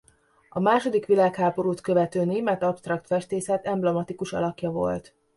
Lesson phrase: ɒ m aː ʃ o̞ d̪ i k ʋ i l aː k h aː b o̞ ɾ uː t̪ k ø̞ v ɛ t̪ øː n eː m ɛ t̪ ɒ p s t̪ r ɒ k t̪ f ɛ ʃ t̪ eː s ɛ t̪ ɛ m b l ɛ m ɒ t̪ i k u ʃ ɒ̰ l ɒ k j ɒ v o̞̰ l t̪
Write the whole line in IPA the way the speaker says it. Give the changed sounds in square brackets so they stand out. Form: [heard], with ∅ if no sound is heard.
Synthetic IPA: ɒ m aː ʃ o̞ d̪ i k ʋ i l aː k h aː b o̞ ɾ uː t̪ k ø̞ v ɛ t̪ øː n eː m ɛ t̪ ɒ p s t̪ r ɒ k t̪ f ɛ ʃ t̪ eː s ɛ t̪ ɛ m b l ɛ m ɒ t̪ i k u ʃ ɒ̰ l ɒ k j ɒ v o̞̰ l t̪